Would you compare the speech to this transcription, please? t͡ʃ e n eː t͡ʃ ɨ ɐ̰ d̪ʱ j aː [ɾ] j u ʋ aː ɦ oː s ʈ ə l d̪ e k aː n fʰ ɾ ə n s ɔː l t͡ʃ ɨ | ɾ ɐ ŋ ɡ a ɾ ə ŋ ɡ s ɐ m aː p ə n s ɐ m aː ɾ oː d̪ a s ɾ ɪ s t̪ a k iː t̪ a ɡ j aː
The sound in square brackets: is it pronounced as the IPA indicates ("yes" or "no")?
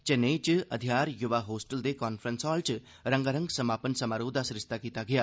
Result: yes